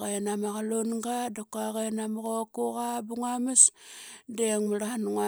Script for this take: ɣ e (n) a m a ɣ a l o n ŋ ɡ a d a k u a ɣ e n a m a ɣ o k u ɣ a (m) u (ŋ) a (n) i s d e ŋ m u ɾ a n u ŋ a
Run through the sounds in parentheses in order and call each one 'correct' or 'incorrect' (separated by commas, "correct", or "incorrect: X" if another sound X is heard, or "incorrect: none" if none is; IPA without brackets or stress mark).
correct, incorrect: b, correct, incorrect: m